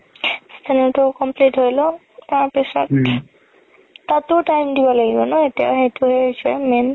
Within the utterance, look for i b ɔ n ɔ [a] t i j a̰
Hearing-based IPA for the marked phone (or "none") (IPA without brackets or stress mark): e